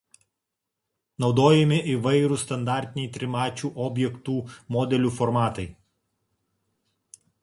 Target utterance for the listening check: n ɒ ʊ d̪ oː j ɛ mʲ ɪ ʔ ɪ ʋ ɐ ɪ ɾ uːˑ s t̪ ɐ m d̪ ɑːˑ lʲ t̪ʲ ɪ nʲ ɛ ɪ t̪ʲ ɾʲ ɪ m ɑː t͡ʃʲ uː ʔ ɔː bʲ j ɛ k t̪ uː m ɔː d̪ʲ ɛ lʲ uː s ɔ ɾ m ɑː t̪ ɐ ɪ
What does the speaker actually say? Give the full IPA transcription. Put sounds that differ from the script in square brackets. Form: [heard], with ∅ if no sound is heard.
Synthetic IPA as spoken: n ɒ ʊ d̪ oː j ɛ mʲ ɪ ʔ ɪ ʋ ɐ ɪ ɾ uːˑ s t̪ ɐ [n] d̪ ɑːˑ [ɾʲ] t̪ʲ ɪ nʲ ɛ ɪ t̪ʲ ɾʲ ɪ m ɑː t͡ʃʲ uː ʔ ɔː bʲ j ɛ k t̪ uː m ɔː d̪ʲ ɛ lʲ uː [f] ɔ ɾ m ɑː t̪ ɐ ɪ